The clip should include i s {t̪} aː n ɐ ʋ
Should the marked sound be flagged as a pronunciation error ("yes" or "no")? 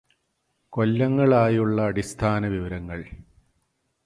yes